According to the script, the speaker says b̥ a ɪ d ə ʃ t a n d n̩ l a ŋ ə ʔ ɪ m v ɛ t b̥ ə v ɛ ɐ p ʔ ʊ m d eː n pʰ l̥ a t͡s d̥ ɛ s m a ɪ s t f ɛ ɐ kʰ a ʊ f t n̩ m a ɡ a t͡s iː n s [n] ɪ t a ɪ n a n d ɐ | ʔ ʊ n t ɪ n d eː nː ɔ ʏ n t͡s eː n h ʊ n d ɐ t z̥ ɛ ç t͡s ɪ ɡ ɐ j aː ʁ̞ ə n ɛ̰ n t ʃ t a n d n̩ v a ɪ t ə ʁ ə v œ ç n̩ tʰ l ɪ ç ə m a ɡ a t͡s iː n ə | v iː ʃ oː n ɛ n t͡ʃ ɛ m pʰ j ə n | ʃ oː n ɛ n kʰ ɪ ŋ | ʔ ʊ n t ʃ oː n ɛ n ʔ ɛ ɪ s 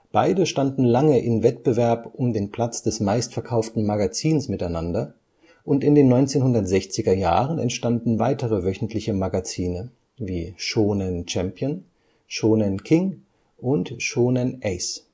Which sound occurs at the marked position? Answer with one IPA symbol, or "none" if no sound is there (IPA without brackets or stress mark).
m